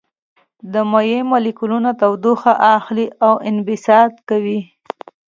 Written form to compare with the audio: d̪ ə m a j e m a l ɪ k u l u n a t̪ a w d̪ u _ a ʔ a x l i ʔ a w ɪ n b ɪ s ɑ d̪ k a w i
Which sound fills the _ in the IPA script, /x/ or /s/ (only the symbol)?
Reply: x